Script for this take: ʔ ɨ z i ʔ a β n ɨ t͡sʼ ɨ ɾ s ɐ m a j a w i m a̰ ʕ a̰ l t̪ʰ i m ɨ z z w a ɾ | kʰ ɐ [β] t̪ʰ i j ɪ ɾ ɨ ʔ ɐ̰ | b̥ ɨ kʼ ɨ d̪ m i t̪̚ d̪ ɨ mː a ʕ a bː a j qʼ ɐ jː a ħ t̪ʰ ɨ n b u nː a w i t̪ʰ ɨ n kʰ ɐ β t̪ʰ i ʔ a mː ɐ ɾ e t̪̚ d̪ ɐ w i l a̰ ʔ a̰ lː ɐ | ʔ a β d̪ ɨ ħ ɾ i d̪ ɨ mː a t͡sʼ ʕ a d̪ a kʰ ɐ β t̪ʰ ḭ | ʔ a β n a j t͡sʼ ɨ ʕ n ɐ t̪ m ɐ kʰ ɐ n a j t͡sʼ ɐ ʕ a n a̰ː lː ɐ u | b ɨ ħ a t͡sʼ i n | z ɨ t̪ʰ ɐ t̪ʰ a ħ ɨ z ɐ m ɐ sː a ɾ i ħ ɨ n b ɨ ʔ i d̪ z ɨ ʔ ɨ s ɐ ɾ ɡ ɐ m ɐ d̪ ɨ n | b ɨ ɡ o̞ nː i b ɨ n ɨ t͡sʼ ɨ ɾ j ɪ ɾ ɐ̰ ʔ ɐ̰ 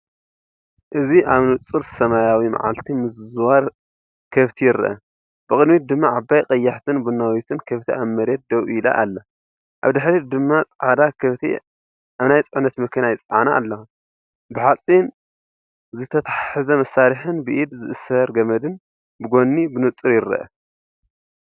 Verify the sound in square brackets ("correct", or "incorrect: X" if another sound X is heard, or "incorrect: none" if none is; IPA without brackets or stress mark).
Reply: correct